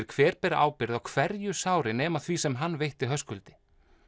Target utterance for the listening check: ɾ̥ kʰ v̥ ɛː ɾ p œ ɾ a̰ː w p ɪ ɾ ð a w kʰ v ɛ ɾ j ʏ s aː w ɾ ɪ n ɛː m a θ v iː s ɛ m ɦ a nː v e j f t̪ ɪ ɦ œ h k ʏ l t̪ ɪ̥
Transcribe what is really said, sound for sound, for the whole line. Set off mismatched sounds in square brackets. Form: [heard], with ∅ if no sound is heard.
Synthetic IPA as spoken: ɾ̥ kʰ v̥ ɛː ɾ p [ɛ] ɾ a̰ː w p ɪ ɾ ð a w kʰ v ɛ ɾ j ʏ s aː w ɾ ɪ n ɛː m a θ v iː s ɛ m ɦ a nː v e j [h] t̪ ɪ ɦ œ [s] k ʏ l t̪ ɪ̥